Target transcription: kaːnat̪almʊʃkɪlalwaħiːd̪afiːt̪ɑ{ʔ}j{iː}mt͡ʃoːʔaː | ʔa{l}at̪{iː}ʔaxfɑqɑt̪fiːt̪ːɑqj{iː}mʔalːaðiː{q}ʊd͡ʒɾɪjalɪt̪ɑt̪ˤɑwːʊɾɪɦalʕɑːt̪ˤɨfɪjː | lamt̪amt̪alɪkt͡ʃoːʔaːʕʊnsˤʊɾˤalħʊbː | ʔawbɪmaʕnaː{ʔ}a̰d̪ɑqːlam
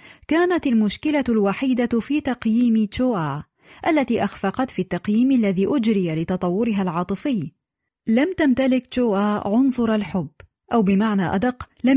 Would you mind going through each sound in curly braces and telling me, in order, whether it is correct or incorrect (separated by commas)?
incorrect, correct, incorrect, correct, correct, incorrect, correct